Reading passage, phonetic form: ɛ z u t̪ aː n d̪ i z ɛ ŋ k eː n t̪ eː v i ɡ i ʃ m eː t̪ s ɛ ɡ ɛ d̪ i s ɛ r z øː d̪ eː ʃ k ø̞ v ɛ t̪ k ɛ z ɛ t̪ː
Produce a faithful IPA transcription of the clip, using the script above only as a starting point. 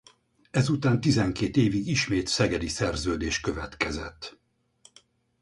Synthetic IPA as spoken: ɛ z u t̪ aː n t̪ i z ɛ ŋ k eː t̪ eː v i ɡ i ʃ m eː t̪ s ɛ ɡ ɛ d̪ i s ɛ r z øː d̪ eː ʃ k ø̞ v ɛ t̪ k ɛ z ɛ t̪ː